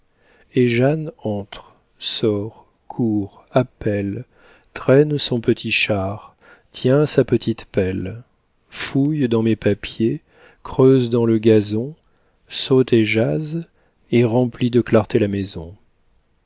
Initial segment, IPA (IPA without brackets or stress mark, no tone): e